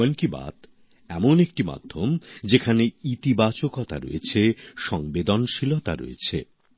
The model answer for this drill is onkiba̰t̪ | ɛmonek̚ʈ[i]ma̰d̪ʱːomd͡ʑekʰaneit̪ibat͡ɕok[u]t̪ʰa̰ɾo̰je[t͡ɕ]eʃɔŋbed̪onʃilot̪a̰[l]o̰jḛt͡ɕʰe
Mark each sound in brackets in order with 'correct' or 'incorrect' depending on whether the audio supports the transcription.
correct, incorrect, incorrect, incorrect

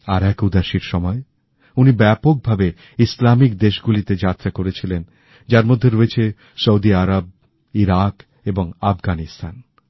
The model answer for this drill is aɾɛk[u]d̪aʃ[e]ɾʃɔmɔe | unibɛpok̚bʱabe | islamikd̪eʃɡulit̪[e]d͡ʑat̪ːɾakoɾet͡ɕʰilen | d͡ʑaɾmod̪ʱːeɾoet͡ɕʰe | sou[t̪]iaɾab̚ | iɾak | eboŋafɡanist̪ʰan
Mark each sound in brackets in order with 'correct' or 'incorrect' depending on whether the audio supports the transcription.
correct, incorrect, correct, incorrect

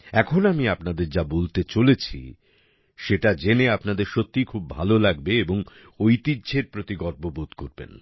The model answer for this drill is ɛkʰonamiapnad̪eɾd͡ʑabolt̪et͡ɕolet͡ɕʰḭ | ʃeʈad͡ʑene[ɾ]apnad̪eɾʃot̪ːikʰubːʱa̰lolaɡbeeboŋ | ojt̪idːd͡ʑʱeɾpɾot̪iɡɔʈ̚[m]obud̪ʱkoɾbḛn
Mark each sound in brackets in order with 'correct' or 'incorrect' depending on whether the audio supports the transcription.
incorrect, incorrect

